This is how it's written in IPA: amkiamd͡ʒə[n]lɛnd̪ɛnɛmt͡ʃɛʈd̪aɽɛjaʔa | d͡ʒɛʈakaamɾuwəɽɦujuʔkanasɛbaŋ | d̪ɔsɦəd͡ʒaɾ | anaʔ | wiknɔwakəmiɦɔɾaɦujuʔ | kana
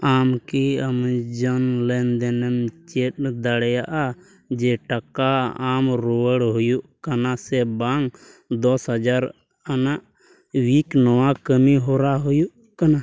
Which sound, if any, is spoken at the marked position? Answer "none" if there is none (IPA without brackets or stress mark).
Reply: n